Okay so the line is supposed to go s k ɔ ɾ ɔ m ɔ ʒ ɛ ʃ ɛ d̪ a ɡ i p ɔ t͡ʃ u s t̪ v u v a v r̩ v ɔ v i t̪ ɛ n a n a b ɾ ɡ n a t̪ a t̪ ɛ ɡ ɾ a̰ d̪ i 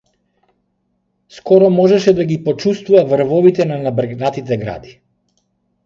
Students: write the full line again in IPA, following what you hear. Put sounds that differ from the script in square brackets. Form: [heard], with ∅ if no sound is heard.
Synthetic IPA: s k ɔ ɾ ɔ m ɔ ʒ ɛ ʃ ɛ d̪ a ɡ i p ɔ t͡ʃ u s t̪ v u v a v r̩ v ɔ v i t̪ ɛ n a n a b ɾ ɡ n a t̪ [i] t̪ ɛ ɡ ɾ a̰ d̪ i